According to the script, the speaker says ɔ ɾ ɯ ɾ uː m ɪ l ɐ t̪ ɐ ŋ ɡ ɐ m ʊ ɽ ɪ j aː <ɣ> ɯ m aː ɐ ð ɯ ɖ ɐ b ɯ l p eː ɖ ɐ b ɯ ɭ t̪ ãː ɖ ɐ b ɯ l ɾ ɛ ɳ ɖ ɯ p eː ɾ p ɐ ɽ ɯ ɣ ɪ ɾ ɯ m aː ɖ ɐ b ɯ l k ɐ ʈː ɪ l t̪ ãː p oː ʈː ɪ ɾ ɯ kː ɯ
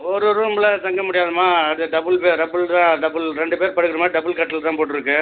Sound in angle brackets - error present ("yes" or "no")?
yes